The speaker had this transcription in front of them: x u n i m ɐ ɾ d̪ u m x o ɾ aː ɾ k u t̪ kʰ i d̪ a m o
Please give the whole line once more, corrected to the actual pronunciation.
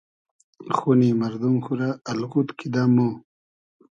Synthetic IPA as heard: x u n i m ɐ ɾ d̪ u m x u ɾ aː l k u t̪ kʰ i d̪ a m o